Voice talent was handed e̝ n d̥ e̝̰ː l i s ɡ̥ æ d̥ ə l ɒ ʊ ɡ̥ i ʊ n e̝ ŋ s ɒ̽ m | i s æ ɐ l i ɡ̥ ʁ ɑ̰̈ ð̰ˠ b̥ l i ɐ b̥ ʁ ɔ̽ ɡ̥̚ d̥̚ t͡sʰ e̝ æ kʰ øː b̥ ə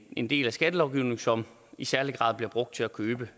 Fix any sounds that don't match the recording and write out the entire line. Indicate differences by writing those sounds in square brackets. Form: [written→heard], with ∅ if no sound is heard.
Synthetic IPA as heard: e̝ n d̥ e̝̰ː l [i→æ] s ɡ̥ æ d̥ ə l ɒ ʊ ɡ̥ i ʊ n e̝ ŋ s ɒ̽ m | i s æ ɐ l i ɡ̥ ʁ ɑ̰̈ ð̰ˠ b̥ l i ɐ b̥ ʁ ɔ̽ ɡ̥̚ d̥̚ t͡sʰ e̝ æ kʰ øː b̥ ə